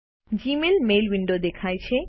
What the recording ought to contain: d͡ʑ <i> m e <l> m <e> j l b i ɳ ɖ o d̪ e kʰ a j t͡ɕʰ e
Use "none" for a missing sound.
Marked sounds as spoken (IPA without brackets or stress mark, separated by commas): i, l, e